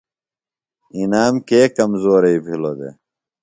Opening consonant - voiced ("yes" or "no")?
yes